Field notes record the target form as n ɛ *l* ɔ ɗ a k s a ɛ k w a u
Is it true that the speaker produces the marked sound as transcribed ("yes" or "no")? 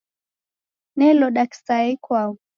yes